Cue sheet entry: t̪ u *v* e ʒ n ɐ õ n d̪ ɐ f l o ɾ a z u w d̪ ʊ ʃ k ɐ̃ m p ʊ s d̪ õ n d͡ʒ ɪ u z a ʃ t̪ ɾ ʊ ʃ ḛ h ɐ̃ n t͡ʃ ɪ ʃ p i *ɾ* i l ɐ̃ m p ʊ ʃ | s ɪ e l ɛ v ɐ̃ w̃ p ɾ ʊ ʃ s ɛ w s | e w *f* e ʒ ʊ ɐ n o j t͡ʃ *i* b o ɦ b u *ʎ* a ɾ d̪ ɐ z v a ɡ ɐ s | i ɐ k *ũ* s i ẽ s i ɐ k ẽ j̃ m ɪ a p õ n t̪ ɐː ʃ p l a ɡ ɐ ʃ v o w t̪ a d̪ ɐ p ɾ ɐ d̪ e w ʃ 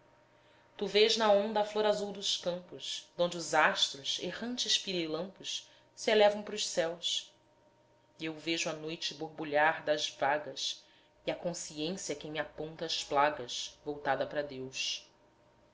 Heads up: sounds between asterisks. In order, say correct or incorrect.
correct, correct, incorrect, incorrect, correct, incorrect

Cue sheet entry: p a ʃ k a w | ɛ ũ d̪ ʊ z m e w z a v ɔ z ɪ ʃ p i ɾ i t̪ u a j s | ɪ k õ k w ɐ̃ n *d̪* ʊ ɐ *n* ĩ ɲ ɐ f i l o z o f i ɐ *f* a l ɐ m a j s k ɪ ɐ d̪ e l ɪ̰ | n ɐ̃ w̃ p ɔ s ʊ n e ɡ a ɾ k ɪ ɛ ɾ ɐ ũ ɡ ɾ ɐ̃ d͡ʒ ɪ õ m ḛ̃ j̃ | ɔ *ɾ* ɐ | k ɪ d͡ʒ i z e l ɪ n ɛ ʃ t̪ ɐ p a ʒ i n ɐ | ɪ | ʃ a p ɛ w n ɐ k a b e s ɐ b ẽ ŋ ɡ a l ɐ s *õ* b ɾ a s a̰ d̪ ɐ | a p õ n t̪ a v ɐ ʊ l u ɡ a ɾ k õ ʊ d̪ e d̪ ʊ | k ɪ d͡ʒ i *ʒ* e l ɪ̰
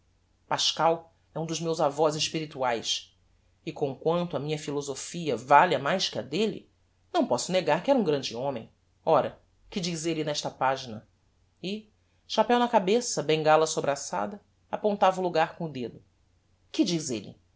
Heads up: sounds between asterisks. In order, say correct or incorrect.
incorrect, incorrect, incorrect, correct, incorrect, incorrect

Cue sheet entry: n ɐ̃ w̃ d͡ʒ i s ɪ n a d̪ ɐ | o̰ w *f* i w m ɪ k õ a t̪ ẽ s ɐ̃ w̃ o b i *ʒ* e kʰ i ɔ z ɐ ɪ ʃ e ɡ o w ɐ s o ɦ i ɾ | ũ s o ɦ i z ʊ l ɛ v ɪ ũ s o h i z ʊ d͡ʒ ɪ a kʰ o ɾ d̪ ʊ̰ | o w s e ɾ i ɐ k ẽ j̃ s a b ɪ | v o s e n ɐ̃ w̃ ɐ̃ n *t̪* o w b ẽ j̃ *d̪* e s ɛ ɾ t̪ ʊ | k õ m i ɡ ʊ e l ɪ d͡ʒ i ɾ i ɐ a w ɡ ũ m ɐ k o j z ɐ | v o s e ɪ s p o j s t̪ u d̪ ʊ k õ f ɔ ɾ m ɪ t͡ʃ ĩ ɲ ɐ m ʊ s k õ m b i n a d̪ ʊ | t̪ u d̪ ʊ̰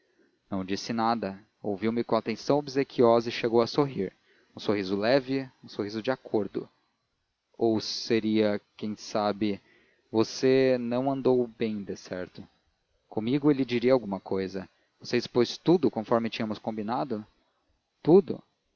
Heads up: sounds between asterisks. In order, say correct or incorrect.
incorrect, incorrect, incorrect, correct

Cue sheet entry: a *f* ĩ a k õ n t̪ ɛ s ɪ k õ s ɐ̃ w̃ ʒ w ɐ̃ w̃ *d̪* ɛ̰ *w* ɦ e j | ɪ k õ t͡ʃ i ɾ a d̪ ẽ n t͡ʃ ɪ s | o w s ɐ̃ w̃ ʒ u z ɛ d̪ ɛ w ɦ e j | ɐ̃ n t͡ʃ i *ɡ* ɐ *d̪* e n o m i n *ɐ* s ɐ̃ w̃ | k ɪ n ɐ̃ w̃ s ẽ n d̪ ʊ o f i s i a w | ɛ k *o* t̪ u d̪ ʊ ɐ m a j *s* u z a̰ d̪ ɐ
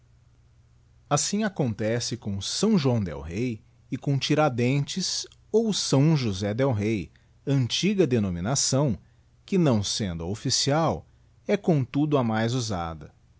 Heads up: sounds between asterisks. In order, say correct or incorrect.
incorrect, correct, correct, correct, correct, incorrect, incorrect, incorrect

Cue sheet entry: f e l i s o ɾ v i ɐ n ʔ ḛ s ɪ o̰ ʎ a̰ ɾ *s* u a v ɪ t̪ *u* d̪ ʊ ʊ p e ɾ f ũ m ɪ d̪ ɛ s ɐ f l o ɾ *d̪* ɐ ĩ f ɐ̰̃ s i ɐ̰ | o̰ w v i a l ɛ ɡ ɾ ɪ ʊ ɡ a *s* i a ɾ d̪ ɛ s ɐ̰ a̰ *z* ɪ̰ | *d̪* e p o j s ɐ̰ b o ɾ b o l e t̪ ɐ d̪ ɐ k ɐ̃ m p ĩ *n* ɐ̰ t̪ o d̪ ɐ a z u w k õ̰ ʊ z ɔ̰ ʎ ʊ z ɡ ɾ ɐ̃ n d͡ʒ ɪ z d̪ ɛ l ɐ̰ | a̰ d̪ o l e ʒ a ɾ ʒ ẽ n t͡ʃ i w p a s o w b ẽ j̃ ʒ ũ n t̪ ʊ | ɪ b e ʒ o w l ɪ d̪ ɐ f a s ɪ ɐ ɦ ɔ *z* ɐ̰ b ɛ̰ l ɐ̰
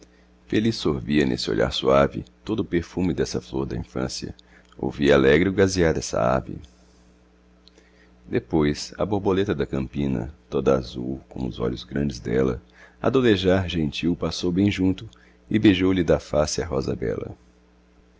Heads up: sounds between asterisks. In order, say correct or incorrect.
correct, incorrect, correct, incorrect, incorrect, correct, correct, correct

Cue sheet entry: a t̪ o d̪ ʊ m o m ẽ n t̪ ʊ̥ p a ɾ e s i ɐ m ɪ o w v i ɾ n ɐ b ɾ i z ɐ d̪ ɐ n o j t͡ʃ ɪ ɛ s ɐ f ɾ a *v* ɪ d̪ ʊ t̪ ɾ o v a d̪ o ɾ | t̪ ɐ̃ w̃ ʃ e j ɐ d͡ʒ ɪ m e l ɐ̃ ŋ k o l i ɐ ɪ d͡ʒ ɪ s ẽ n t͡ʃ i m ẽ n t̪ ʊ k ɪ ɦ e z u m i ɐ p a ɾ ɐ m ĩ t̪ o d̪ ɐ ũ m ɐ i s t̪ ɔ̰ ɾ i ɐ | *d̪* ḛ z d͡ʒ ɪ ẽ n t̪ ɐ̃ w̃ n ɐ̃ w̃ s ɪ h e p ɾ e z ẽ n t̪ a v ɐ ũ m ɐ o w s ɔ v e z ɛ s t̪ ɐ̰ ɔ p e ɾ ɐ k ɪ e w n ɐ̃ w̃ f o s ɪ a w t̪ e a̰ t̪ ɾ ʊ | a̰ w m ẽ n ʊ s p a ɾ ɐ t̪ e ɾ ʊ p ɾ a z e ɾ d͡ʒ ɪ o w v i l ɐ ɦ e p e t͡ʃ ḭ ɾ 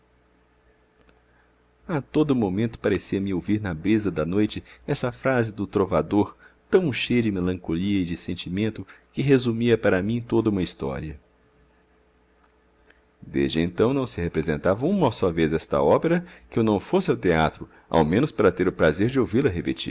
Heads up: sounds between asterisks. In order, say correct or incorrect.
incorrect, correct

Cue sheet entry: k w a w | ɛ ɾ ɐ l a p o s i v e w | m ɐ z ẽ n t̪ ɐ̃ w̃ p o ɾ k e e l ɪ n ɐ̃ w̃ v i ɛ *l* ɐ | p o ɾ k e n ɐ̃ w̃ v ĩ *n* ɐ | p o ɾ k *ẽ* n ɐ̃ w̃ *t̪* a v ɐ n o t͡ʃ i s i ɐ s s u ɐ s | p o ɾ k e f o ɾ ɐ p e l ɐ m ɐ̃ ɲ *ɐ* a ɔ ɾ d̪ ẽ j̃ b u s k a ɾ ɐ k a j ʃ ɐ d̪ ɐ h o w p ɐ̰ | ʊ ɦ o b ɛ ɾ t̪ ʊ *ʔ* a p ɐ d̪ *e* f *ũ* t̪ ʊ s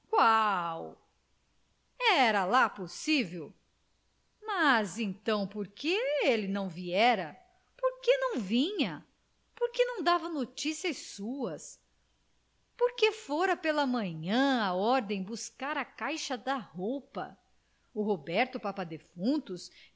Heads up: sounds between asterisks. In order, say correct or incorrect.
incorrect, incorrect, incorrect, incorrect, incorrect, incorrect, correct, correct

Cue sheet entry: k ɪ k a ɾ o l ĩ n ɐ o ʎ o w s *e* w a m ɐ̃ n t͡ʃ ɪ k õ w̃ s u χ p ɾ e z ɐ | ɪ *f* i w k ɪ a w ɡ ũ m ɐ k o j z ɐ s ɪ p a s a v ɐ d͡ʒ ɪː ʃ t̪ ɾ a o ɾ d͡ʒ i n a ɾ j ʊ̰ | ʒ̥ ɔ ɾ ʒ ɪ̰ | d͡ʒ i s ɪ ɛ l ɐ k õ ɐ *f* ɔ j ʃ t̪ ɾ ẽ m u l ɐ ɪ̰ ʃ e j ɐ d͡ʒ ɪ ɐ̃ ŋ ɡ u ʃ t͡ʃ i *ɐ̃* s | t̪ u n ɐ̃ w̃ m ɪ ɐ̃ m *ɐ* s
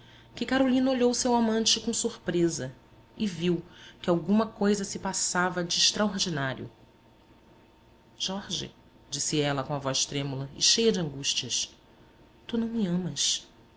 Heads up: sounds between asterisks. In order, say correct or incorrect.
correct, incorrect, incorrect, incorrect, correct

